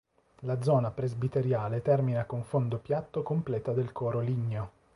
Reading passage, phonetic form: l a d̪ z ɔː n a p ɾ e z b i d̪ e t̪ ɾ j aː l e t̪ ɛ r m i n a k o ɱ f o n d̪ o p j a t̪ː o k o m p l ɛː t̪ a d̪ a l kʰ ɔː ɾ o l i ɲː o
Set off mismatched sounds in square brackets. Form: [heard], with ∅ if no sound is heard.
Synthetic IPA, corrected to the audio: l a d̪ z ɔː n a p ɾ e z b i [t̪] e [∅] ɾ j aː l e t̪ ɛ r m i n a k o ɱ f o n d̪ o p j a t̪ː o k o m p l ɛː t̪ a d̪ [e] l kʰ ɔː ɾ o l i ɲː o